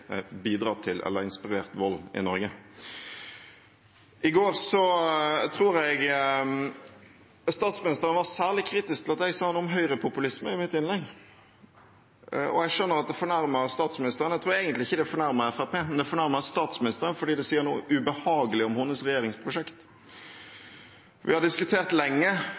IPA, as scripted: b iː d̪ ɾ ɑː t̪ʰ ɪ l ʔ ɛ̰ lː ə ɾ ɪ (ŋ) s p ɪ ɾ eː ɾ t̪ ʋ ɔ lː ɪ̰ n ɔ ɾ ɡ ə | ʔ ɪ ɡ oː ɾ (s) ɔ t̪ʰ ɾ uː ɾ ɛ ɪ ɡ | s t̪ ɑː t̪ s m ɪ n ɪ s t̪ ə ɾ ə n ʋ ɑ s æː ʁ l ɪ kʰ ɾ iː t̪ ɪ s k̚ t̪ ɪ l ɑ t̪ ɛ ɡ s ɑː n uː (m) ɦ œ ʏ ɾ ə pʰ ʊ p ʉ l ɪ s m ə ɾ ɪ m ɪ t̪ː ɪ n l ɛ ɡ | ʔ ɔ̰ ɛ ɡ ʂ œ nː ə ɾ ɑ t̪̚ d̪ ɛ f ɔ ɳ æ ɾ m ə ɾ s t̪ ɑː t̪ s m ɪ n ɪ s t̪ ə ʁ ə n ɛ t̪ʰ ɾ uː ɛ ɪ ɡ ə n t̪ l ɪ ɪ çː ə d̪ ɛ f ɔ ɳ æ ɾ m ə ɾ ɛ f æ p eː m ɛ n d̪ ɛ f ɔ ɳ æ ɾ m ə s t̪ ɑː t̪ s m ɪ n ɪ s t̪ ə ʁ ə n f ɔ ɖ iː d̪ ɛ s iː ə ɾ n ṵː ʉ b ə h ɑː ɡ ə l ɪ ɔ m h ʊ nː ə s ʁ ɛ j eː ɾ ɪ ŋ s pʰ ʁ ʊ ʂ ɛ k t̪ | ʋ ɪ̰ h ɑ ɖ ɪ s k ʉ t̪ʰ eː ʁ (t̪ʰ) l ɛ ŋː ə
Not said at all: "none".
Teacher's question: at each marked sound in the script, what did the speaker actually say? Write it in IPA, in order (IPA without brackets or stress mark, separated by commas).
n, s, m, t̪